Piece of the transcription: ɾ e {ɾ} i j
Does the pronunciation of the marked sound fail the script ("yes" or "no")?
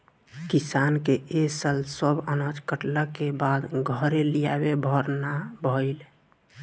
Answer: yes